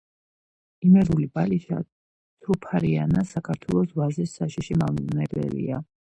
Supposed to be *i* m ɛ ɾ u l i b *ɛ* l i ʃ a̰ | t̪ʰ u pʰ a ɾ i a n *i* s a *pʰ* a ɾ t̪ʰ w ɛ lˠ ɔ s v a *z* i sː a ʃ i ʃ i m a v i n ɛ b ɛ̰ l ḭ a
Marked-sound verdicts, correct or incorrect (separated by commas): correct, incorrect, incorrect, incorrect, correct